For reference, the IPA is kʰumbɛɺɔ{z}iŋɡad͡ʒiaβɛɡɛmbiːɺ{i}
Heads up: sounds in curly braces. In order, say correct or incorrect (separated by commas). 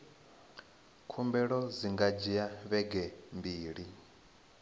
correct, correct